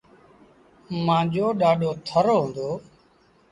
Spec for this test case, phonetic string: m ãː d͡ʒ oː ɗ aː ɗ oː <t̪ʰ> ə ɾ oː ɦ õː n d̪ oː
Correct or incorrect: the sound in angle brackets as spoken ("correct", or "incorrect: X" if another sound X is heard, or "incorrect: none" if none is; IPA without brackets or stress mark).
correct